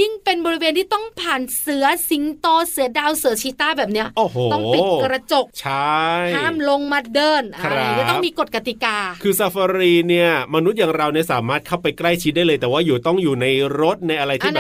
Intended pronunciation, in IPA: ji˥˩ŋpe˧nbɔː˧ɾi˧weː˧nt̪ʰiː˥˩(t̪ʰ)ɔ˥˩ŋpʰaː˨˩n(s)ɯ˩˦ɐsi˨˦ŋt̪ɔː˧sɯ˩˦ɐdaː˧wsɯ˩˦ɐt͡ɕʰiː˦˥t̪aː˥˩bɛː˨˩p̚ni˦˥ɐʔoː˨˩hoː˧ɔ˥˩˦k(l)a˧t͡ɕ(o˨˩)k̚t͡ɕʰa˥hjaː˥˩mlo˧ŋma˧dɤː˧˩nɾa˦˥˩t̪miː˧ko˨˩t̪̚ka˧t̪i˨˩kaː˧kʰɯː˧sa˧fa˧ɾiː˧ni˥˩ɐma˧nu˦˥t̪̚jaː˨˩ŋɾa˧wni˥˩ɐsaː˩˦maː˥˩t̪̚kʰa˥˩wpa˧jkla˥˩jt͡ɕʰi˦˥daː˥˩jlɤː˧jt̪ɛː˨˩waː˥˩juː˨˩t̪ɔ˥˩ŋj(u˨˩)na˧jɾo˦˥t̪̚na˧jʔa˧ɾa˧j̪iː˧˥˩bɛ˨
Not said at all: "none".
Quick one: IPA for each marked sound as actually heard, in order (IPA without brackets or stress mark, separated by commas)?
t̪, s, ɾ, o˨˩, uː˨˩